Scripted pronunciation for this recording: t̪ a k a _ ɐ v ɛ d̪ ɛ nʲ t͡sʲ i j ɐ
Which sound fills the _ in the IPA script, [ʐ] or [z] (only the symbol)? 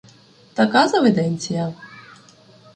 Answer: z